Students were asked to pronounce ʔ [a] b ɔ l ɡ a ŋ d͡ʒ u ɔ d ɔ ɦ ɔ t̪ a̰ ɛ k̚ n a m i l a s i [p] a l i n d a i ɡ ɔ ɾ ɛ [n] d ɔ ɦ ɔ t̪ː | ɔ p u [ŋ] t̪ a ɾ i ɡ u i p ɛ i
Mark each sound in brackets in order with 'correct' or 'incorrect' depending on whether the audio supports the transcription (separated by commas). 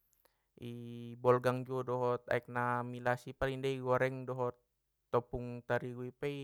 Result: incorrect, correct, incorrect, correct